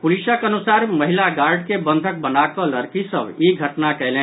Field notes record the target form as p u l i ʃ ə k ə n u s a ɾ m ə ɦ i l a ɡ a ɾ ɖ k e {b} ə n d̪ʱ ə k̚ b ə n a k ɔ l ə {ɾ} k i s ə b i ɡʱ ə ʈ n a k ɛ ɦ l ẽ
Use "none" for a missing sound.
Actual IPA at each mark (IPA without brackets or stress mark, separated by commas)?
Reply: b, ɾ